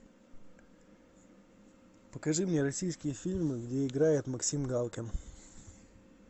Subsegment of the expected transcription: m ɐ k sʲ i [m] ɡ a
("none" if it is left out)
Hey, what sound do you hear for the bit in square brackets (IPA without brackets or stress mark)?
m